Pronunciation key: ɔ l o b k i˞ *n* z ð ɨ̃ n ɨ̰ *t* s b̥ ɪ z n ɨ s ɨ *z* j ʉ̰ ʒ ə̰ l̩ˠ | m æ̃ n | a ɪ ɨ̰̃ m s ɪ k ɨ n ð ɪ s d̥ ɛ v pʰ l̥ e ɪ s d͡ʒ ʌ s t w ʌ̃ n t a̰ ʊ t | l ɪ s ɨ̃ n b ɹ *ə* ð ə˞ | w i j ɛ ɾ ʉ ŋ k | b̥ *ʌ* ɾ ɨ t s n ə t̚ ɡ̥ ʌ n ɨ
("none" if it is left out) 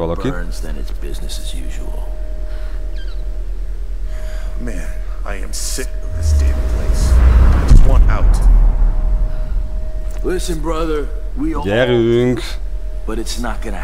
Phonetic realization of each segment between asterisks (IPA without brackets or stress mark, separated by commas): n, t, z, ʌ, ʌ